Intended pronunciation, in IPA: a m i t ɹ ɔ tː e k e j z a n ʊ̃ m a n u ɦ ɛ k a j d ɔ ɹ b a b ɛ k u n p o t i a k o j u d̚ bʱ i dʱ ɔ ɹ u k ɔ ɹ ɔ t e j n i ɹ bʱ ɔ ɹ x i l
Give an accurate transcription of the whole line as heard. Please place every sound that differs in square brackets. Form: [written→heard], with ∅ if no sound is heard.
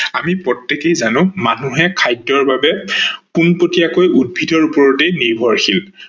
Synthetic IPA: a m i [t→p] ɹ ɔ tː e k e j z a n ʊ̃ m a n u ɦ ɛ [k→kʰ] a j d ɔ ɹ b a b ɛ k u n p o t i a k o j u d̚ bʱ i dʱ ɔ ɹ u [k→p] ɔ ɹ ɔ t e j n i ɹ bʱ ɔ ɹ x i l